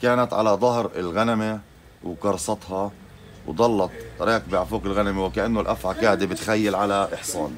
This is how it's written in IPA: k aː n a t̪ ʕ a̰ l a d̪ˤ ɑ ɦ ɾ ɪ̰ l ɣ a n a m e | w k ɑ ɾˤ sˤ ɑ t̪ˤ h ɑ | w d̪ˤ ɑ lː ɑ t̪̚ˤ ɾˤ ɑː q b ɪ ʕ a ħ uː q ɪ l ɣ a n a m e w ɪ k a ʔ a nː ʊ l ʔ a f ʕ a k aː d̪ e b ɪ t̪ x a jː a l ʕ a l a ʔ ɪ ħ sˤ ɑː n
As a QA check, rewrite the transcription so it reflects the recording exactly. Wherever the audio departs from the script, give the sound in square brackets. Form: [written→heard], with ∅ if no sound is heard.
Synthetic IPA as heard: k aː n a t̪ ʕ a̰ l a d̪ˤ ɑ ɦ ɾ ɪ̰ l ɣ a n a m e | w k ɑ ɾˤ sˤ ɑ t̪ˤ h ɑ | w d̪ˤ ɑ lː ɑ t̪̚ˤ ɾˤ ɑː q b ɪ ʕ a [ħ→f] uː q ɪ l ɣ a n a m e w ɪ k a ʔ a nː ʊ l ʔ a f ʕ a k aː d̪ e b ɪ t̪ x a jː a l ʕ a l a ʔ ɪ ħ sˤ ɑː n